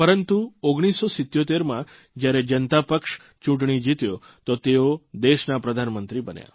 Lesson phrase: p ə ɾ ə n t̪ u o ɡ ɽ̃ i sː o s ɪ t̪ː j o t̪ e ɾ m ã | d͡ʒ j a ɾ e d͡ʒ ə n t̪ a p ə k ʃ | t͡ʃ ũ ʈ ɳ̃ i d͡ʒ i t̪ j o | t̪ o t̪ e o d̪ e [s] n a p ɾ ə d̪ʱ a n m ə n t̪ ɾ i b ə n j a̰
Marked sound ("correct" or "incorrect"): incorrect